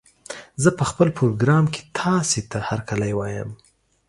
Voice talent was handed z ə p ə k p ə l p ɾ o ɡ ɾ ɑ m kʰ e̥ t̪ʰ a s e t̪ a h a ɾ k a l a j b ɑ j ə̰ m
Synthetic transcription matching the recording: z ə p ə x p ə l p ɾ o ɡ ɾ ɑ m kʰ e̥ t̪ʰ ɑ s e t̪ a h a ɾ k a l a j w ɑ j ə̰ m